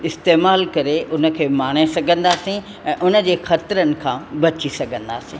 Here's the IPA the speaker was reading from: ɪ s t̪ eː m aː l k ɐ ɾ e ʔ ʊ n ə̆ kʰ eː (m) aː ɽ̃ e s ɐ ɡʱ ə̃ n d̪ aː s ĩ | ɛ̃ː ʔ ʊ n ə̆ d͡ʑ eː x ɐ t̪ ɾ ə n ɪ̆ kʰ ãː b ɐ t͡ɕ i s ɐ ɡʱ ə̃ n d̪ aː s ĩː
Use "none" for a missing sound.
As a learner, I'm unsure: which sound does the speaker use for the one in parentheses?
m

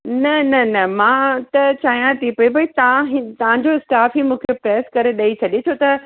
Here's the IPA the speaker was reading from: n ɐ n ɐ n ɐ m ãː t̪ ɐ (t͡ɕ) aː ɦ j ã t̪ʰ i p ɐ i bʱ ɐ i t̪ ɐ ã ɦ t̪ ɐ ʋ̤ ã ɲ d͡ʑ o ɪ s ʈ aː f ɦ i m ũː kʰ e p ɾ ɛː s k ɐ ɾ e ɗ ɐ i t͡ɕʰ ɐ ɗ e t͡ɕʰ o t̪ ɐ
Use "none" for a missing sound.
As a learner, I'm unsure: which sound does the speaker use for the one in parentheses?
t͡ɕ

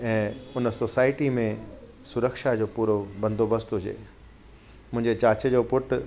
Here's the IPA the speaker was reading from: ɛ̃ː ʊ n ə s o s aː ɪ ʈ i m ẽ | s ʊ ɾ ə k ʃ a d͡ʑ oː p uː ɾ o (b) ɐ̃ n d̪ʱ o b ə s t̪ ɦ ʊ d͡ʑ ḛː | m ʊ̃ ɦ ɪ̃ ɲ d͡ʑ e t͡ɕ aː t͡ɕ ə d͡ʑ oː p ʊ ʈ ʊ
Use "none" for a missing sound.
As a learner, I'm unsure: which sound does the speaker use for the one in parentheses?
b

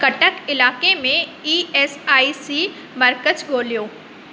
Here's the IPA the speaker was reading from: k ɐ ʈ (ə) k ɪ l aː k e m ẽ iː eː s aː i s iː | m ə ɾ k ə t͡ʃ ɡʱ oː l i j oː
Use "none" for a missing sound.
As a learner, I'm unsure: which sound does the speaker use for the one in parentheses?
ə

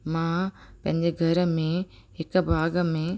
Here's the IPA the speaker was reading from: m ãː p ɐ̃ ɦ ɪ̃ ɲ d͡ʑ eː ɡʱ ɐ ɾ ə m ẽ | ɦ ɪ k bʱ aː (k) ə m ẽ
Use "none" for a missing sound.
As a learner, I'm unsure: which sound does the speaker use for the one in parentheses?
ɡ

